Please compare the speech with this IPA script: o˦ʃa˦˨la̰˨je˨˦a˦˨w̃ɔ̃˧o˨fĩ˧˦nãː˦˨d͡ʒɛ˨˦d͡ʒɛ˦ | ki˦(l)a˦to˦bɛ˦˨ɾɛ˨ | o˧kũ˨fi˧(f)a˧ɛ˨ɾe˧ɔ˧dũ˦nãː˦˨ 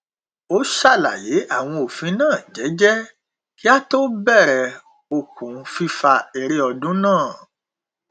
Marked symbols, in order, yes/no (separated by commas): no, yes